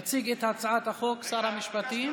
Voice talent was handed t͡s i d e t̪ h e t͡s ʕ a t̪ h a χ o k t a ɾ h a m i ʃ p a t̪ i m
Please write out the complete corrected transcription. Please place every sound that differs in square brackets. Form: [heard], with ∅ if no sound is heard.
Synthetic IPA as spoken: t͡s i [ɡ] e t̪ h [a] t͡s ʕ a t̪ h a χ o k [s] a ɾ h a m i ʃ p a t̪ i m